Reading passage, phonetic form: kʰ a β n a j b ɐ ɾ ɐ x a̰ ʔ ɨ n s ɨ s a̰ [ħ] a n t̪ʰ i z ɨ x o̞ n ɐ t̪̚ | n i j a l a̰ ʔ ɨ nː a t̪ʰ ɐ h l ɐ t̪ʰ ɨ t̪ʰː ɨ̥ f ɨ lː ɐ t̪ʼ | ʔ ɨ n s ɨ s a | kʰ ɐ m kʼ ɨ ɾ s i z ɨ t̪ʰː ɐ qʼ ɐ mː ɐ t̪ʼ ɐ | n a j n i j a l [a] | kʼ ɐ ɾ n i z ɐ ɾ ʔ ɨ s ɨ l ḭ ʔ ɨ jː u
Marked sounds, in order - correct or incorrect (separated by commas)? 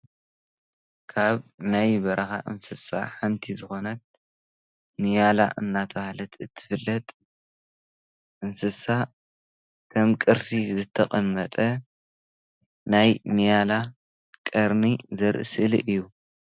correct, correct